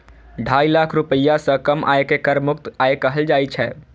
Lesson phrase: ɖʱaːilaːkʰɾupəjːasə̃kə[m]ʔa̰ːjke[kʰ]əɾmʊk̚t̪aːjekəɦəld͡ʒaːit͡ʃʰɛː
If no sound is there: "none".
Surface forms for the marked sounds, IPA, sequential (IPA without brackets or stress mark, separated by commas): m, k